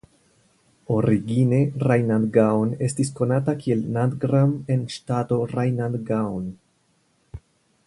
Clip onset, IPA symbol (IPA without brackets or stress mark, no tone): o̞